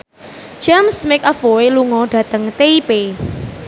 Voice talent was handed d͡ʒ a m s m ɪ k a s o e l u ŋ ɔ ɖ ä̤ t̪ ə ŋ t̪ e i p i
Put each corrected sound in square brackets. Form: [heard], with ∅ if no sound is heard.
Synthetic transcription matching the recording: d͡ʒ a m s m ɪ k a [f] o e l u ŋ ɔ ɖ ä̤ t̪ ə ŋ t̪ e i p [e]